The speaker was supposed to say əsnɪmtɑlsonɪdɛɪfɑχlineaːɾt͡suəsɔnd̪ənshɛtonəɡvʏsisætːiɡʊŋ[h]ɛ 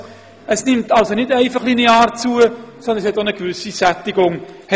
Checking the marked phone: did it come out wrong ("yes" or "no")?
no